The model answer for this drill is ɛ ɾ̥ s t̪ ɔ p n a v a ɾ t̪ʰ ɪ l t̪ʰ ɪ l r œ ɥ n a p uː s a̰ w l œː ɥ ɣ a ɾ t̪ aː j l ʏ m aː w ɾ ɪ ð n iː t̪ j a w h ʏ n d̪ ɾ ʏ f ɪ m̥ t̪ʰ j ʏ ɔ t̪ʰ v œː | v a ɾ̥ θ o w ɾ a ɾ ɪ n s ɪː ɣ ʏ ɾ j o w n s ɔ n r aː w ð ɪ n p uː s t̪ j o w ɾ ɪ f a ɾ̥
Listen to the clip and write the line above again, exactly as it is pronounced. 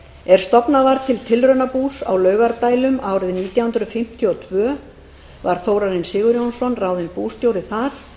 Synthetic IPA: ɛ ɾ̥ s t̪ ɔ p n a v a ɾ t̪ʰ ɪ l t̪ʰ ɪ l r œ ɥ n a p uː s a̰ w l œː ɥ ɣ a ɾ t̪ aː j l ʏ m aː w ɾ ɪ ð n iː t̪ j a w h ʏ n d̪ ɾ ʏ f ɪ m̥ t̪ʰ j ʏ ɔ t̪ʰ v œː | v a ɾ̥ θ o w ɾ a ɾ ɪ n s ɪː ɣ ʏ ɾ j o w n s ɔ n r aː w ð ɪ n p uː s t̪ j o w ɾ ɪ θ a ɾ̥